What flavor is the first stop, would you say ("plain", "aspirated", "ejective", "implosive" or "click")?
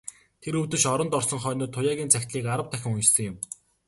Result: aspirated